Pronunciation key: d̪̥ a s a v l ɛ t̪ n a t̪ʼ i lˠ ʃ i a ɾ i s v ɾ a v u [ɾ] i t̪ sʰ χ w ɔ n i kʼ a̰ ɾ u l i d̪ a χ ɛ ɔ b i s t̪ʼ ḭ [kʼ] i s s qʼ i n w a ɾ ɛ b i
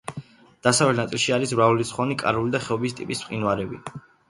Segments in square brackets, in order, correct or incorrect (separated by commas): incorrect, incorrect